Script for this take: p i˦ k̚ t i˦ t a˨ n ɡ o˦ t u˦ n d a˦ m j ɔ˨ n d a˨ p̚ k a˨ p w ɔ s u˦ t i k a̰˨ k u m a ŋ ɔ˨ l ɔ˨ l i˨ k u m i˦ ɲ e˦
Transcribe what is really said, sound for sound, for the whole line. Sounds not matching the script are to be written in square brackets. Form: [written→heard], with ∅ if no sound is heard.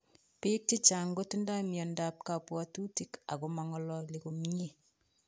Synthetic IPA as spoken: p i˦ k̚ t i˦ [t→t͡ʃ] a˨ [n→ŋ] ɡ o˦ t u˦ n d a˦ m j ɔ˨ n d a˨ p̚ k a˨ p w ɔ [s→t] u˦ t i k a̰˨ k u m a ŋ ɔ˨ l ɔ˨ l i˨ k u m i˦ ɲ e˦